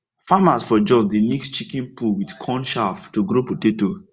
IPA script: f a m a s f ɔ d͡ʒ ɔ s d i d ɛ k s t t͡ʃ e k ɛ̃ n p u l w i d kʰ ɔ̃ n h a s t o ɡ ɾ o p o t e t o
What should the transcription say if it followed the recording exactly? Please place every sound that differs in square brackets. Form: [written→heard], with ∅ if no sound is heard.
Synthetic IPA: f a m a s f ɔ d͡ʒ ɔ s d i [d→n] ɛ k s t t͡ʃ [e→i] k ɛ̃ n p u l w i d kʰ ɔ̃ n [h→ʃ] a [s→f] t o ɡ ɾ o p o t e t o